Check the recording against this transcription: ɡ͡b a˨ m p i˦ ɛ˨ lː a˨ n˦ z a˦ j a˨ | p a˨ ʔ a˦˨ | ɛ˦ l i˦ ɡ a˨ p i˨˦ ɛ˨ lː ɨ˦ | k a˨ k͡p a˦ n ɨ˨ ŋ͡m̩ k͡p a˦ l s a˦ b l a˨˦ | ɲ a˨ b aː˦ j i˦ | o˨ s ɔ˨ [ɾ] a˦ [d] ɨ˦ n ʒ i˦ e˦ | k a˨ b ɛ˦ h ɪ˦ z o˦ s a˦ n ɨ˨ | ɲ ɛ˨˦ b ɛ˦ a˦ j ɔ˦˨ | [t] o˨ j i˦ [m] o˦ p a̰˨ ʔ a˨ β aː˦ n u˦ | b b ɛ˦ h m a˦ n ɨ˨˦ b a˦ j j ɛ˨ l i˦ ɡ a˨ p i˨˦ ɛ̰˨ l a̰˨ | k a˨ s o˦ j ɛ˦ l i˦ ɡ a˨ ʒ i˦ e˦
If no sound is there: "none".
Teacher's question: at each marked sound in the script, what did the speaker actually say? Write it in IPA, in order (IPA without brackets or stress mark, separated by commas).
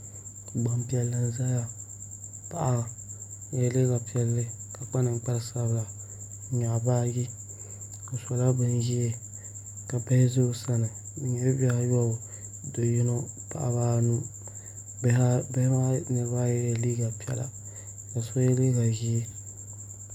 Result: l, b, d, n